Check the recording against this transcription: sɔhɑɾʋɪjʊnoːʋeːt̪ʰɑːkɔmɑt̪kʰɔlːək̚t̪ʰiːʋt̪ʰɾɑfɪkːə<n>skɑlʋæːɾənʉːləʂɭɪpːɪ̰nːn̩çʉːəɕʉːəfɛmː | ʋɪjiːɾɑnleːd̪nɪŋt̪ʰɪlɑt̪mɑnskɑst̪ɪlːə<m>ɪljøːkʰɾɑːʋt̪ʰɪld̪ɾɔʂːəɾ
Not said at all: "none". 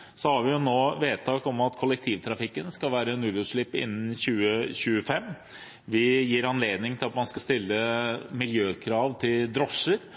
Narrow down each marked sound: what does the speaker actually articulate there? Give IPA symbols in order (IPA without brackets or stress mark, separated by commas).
n, m